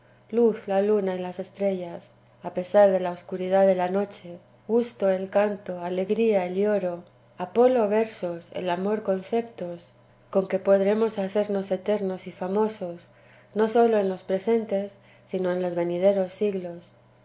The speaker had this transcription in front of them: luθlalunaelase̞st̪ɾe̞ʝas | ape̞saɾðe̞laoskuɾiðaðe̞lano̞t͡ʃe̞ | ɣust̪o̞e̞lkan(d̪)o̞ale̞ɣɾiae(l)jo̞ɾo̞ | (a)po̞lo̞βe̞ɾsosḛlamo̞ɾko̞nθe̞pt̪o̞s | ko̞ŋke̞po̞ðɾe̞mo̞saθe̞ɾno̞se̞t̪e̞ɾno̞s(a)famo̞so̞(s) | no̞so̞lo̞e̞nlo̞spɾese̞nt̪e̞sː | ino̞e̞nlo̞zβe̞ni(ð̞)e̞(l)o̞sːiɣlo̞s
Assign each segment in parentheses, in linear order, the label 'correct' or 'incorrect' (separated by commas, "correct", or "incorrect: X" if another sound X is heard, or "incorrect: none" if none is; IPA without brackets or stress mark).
incorrect: t̪, correct, correct, incorrect: i, correct, correct, incorrect: ɾ